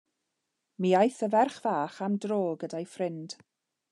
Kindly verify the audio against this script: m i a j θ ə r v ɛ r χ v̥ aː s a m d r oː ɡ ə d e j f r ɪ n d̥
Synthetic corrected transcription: m i a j θ ə v ɛ r χ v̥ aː χ a m d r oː ɡ ə d a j f r ɪ n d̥

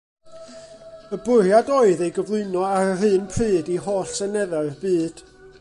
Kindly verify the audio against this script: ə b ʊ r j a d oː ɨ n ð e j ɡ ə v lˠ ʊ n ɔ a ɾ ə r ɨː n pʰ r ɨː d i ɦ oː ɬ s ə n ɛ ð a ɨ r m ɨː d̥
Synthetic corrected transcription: ə b ʊ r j a d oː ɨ ð e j ɡ ə v lˠ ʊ n ɔ a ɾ ə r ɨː n pʰ r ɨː d i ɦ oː ɬ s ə n ɛ ð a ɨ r b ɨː d̥

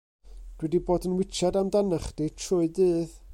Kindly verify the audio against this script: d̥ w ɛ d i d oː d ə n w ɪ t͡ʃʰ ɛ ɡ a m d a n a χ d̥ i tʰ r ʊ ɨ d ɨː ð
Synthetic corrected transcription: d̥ w ɛ d i b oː d ə n w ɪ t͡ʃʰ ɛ d a m d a n a χ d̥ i tʰ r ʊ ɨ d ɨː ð

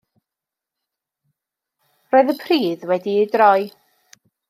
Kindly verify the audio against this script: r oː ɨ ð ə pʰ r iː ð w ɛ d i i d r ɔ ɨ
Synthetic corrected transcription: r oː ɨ ð ə pʰ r iː ð w ɛ d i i d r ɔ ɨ

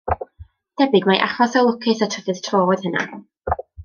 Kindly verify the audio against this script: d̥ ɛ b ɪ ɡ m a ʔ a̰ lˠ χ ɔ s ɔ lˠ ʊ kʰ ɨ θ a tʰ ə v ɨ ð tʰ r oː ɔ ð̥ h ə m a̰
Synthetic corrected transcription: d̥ ɛ b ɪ ɡ m a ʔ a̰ χ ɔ s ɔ lˠ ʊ kʰ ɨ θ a tʰ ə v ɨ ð tʰ r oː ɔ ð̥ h ə n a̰

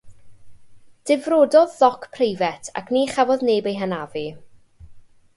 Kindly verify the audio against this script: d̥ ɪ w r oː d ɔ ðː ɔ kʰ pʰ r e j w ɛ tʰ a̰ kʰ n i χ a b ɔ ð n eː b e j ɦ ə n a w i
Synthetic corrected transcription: d̥ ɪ v r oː d ɔ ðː ɔ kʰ pʰ r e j v ɛ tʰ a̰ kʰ n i χ a v ɔ ð n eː b e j ɦ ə n a v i

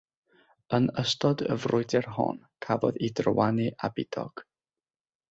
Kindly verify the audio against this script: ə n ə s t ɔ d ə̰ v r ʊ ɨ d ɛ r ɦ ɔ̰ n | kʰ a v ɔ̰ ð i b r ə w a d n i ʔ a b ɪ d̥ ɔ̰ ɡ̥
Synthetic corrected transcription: ə n ə s t ɔ d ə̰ v r ʊ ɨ d ɛ r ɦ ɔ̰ n | kʰ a v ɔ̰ ð i d r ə w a n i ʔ a b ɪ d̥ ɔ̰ ɡ̥

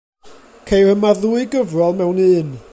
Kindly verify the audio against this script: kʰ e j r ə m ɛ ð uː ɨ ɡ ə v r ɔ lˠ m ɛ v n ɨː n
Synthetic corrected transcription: kʰ e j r ə m a ð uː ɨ ɡ ə v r ɔ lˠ m ɛ w n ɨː n

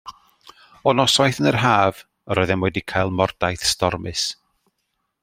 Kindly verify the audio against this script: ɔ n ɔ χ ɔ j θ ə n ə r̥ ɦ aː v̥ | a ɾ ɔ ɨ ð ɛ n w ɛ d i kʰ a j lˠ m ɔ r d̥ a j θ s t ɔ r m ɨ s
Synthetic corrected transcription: ɔ n ɔ s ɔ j θ ə n ə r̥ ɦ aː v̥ | ə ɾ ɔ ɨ ð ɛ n w ɛ d i kʰ a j lˠ m ɔ r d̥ a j θ s t ɔ r m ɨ s

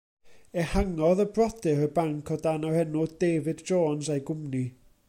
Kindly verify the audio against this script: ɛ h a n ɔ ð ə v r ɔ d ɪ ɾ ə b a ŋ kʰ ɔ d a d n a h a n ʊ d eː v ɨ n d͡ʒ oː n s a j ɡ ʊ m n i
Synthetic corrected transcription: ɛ h a ŋ ɔ ð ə b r ɔ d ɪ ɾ ə b a ŋ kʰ ɔ d a n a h ɛ n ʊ d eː v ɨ d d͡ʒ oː n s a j ɡ ʊ m n i

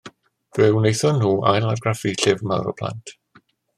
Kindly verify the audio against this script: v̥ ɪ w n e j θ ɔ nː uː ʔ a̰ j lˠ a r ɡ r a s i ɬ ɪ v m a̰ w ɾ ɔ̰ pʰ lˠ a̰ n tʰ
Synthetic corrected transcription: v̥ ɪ w n e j θ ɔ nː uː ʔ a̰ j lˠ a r ɡ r a f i ɬ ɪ v m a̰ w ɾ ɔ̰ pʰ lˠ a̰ n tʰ

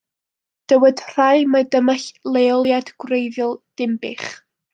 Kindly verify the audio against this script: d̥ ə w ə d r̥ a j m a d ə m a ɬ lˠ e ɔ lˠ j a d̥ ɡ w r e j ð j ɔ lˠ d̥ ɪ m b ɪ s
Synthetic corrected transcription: d̥ ə w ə d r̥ a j m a d ə m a ɬ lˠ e ɔ lˠ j a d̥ ɡ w r e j ð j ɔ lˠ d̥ ɪ m b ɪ χ

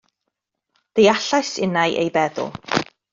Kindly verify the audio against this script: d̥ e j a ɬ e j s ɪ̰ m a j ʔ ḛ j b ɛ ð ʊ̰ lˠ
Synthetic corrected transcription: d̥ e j a ɬ a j s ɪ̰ n a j ʔ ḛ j b ɛ ð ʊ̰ lˠ

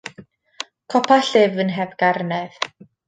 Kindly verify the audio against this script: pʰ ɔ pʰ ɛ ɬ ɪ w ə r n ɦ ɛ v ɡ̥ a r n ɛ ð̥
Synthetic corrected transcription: kʰ ɔ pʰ a ɬ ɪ v ə n ɦ ɛ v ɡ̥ a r n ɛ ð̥

